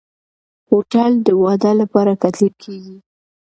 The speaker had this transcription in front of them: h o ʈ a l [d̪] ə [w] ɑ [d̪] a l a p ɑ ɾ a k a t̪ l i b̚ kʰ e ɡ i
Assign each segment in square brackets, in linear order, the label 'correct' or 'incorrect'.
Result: correct, correct, correct

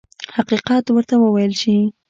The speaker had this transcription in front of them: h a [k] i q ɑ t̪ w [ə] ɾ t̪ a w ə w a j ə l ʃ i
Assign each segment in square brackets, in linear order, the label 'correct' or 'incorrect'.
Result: incorrect, correct

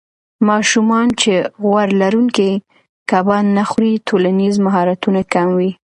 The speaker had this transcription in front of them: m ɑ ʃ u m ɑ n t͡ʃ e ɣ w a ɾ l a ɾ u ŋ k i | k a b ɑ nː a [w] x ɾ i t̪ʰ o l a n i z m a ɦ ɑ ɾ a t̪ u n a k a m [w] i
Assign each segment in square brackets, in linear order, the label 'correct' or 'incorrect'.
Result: incorrect, correct

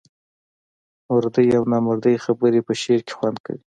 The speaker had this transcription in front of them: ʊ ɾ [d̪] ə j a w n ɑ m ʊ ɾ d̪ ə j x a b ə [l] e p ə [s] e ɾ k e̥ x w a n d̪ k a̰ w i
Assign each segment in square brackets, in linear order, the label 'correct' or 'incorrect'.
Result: correct, incorrect, incorrect

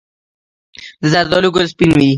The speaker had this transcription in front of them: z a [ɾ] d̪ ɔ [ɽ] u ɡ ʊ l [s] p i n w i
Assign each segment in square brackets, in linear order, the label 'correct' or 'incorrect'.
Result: correct, incorrect, correct

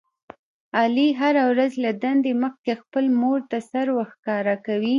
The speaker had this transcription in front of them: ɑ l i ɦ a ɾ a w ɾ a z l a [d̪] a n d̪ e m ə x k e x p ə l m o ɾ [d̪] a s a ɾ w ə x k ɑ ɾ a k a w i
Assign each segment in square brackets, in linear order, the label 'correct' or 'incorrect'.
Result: correct, incorrect

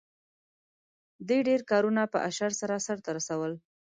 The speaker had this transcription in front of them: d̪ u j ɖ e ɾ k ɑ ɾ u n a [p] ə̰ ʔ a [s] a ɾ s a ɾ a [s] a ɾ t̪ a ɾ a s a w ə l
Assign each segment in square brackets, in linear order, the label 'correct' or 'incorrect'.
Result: correct, incorrect, correct

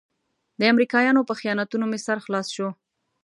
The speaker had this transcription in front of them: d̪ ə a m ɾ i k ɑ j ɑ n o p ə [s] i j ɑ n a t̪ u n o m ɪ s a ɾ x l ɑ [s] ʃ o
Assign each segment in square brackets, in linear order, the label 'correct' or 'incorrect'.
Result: incorrect, correct

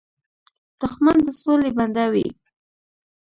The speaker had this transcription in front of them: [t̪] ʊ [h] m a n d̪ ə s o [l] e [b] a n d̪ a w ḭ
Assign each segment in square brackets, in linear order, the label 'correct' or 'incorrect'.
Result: correct, incorrect, correct, correct

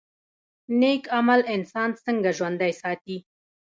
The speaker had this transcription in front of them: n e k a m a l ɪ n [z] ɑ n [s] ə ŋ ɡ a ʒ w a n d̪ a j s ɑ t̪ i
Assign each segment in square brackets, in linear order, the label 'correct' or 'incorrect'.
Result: incorrect, correct

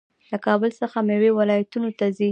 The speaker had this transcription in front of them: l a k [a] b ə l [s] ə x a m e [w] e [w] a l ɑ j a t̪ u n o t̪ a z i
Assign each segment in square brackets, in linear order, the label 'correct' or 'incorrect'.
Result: incorrect, correct, correct, correct

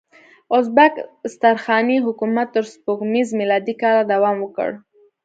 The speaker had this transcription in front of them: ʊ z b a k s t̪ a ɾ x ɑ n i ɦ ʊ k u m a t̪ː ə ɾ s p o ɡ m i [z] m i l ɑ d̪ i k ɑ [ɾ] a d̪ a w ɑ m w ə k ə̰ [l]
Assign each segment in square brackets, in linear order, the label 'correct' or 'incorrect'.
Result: correct, incorrect, incorrect

